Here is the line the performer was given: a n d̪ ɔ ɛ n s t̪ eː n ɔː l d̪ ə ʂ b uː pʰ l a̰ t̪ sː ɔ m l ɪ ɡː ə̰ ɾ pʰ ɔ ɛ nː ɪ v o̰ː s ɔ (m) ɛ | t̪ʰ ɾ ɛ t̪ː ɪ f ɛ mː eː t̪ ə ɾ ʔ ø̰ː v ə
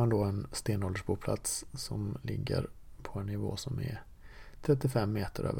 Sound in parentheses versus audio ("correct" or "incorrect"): correct